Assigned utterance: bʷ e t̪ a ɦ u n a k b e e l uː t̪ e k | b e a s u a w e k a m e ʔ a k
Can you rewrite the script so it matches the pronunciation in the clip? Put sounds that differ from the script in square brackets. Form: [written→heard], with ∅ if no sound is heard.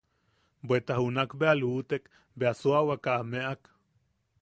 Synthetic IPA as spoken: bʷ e t̪ a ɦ u n a k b e [e→a] l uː t̪ e k | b e a s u a w [e→a] k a m e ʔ a k